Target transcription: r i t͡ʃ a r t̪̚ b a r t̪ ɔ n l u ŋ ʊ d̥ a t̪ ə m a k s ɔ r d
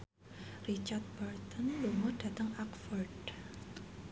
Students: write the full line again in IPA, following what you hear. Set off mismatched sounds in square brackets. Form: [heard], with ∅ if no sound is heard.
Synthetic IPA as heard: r i t͡ʃ a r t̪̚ b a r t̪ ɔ n l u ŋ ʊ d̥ a t̪ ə [ŋ] a k [f] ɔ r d